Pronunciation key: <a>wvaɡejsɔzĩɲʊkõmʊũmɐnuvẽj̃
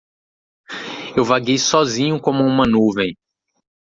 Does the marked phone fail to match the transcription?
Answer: yes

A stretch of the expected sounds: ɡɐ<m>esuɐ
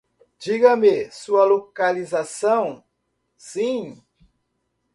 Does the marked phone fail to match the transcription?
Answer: no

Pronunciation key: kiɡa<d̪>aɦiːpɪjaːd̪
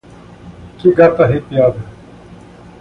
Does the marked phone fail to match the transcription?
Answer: yes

